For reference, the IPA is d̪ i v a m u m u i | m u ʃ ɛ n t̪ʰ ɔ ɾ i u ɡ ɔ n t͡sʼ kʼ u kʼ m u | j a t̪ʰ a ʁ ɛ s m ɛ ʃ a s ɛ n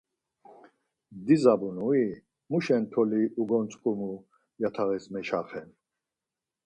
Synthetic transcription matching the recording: d̪ i z a b u n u i | m u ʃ ɛ n t̪ʰ ɔ l i u ɡ ɔ n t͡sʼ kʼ u m u | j a t̪ʰ a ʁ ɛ s m ɛ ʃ a χ ɛ n